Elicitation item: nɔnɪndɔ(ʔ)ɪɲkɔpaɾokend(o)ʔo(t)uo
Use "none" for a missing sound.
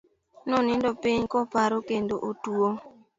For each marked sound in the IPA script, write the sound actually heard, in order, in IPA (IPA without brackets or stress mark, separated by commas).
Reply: p, o, t